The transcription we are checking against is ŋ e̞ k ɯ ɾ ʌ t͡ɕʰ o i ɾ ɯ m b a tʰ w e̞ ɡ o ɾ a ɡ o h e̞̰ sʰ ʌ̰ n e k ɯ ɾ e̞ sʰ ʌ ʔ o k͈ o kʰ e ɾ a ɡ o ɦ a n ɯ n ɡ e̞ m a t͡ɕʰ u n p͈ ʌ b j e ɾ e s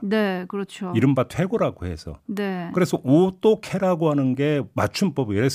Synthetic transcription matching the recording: n e̞ k ɯ ɾ ʌ t͡ɕʰ o i ɾ ɯ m b a tʰ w e̞ ɡ o ɾ a ɡ o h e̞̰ sʰ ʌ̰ n e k ɯ ɾ e̞ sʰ ʌ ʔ o t͈ o kʰ e ɾ a ɡ o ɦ a n ɯ n ɡ e̞ m a t͡ɕʰ u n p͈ ʌ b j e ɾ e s